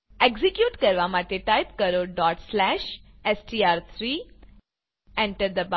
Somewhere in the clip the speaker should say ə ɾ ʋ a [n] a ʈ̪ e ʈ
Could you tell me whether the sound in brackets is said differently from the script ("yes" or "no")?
yes